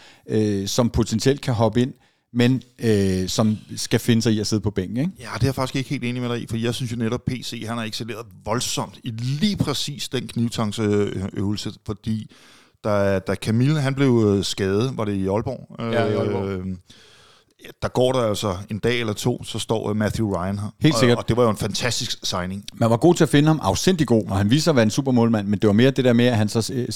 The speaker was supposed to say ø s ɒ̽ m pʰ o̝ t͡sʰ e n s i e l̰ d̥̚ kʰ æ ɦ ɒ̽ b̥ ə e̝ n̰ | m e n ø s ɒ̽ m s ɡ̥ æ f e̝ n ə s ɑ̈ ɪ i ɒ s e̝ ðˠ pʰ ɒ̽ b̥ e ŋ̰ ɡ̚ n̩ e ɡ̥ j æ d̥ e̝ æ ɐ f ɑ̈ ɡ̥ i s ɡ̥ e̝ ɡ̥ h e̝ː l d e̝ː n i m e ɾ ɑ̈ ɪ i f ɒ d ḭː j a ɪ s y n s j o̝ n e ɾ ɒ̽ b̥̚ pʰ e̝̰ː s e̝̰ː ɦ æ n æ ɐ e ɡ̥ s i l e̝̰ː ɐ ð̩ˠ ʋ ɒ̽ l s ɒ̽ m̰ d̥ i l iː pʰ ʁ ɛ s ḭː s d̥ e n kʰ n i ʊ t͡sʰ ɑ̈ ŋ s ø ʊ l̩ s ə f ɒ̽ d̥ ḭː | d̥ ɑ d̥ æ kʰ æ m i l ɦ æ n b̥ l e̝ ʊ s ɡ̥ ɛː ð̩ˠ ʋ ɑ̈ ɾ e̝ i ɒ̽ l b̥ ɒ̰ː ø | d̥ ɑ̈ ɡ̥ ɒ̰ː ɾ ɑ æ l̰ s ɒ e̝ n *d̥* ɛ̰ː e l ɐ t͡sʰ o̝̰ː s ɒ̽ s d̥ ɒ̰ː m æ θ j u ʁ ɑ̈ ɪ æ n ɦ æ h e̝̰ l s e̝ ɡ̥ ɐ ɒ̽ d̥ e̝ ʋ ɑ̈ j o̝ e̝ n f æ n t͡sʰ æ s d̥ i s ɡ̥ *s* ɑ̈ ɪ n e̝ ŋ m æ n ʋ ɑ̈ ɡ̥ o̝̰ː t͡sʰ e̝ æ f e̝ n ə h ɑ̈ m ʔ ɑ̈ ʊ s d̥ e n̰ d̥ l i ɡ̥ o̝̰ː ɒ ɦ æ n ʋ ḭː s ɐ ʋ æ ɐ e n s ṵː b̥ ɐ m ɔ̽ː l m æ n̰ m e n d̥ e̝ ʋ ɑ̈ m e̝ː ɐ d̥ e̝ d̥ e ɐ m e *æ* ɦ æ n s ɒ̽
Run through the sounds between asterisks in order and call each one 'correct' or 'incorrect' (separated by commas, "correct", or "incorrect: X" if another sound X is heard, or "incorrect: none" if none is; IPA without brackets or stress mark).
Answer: correct, correct, correct